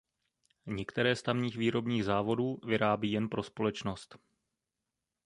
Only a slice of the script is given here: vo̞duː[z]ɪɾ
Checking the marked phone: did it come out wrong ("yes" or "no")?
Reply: yes